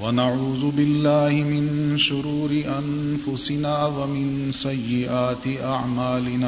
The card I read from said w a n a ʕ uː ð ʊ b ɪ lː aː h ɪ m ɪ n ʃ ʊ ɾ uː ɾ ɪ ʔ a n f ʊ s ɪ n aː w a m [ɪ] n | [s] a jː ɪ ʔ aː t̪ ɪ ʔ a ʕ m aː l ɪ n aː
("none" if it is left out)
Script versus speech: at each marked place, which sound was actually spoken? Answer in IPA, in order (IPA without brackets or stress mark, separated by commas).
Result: ɪ, s